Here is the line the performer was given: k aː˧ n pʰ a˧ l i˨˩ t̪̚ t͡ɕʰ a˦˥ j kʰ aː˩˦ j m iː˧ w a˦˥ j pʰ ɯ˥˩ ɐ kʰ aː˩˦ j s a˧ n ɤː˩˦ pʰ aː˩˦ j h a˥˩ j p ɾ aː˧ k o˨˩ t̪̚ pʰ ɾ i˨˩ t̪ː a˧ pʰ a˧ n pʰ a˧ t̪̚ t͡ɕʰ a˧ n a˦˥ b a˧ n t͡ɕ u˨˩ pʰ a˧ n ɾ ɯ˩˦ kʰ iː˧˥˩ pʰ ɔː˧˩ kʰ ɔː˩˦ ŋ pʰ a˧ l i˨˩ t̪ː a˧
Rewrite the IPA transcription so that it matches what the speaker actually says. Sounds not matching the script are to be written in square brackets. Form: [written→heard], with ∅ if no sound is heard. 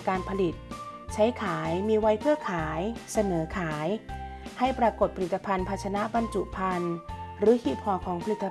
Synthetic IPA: k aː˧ n pʰ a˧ l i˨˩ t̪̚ t͡ɕʰ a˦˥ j kʰ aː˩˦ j m iː˧ w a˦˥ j pʰ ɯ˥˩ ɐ kʰ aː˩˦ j s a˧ n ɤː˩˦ [pʰ→kʰ] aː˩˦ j h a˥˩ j p ɾ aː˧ k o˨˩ t̪̚ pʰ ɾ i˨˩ t̪ː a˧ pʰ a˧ n pʰ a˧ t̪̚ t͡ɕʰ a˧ n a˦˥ b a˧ n t͡ɕ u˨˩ pʰ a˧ n ɾ [ɯ˩˦→ɯː˩˦] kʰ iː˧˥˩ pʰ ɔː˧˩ kʰ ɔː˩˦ ŋ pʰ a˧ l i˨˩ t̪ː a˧